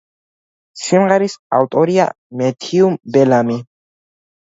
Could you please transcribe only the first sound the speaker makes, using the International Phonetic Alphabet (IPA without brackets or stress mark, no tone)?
s